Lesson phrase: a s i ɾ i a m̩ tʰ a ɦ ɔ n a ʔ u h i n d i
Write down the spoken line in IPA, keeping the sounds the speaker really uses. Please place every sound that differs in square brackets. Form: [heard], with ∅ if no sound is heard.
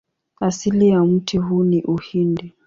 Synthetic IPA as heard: a s i [l] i a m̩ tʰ [i] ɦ [u] n [i] ʔ u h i n d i